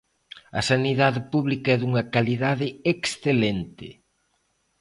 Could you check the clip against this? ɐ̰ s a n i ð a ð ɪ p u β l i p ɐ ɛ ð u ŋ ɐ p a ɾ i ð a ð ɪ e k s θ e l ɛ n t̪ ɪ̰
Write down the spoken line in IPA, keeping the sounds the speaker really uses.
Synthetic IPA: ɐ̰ s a n i ð a ð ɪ p u β l i k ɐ ɛ ð u ŋ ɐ k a l i ð a ð ɪ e k s θ e l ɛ n t̪ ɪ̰